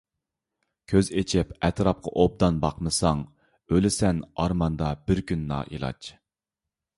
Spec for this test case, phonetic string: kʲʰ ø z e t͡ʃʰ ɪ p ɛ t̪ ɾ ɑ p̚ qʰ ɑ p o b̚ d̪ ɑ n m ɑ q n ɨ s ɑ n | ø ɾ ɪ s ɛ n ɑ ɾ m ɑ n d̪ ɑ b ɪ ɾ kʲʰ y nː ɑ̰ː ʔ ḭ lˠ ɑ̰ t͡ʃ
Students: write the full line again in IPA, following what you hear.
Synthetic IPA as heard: kʲʰ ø z e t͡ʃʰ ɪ p ɛ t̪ ɾ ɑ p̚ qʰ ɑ ʔ o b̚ d̪ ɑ n b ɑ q m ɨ s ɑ ŋ | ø l ɪ s ɛ n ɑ ɾ m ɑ n d̪ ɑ b ɪ ɾ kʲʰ y nː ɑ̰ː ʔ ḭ lˠ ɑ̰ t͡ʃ

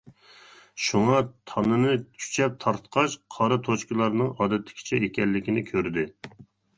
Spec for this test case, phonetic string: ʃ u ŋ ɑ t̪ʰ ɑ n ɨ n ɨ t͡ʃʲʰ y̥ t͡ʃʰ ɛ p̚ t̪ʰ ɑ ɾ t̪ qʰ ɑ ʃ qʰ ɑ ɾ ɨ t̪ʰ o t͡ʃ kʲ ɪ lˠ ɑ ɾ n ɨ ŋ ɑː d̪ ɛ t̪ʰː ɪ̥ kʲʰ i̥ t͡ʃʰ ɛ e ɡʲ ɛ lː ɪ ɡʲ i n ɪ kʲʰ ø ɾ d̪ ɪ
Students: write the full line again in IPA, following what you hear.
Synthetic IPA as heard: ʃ u ŋ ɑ t̪ʰ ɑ n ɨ n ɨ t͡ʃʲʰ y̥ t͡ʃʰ ɛ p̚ t̪ʰ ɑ ɾ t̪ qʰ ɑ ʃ qʰ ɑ ɾ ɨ t̪ʰ o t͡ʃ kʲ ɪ lˠ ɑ ɾ n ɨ ŋ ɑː d̪ ɛ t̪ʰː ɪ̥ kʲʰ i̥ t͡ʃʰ ɛ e kʲ ɛ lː ɪ kʲ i n ɪ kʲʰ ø ɾ d̪ ɪ

